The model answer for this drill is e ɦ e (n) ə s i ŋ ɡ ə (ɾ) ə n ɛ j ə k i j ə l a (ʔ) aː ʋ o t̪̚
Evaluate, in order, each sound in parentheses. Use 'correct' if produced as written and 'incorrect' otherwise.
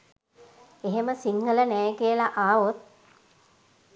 incorrect: m, incorrect: l, correct

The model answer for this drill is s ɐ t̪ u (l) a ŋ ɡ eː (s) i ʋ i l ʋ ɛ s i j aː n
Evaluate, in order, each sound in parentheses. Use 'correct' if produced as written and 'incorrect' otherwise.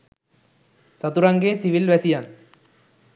incorrect: ɾ, correct

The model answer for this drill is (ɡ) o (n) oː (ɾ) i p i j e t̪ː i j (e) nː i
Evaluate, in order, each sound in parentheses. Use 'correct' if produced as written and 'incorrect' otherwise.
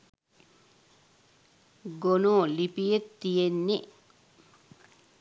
correct, correct, incorrect: l, correct

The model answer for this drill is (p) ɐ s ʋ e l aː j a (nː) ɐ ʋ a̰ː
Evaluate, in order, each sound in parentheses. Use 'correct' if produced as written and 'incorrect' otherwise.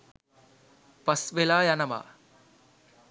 correct, incorrect: n

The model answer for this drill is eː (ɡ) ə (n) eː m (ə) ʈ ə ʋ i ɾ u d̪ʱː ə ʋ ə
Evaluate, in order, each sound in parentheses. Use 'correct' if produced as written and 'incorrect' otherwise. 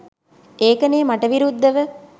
incorrect: k, correct, incorrect: a

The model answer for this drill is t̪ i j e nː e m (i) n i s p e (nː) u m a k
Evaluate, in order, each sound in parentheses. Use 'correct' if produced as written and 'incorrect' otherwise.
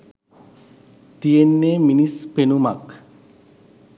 correct, incorrect: n

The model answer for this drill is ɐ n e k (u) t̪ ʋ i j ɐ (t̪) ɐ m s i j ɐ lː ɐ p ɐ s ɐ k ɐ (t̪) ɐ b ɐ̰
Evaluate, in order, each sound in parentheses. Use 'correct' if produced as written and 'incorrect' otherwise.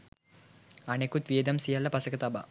correct, incorrect: d̪, correct

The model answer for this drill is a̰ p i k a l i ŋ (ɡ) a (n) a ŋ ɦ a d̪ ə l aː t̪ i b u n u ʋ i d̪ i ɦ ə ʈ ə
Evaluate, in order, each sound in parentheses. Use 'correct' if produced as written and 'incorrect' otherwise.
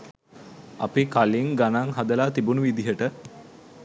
correct, correct

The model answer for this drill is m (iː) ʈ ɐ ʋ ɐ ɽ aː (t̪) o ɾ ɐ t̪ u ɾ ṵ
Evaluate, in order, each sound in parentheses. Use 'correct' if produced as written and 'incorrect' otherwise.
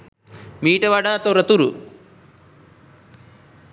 correct, correct

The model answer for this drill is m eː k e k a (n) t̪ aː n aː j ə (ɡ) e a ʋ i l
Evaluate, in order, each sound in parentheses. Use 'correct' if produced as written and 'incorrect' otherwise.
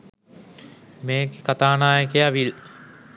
incorrect: none, incorrect: k

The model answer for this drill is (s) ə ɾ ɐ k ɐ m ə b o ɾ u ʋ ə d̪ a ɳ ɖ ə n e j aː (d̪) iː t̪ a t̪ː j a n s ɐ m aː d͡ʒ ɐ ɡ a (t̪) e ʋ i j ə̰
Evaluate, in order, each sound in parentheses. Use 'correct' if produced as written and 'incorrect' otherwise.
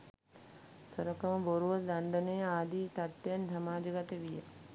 correct, correct, correct

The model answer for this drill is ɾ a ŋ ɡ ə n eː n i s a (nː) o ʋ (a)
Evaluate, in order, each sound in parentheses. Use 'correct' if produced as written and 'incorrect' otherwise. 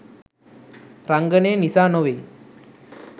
incorrect: n, incorrect: e

